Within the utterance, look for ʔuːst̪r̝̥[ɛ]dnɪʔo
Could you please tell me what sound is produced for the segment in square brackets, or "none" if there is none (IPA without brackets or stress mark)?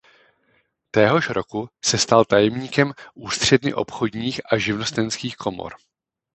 ɛ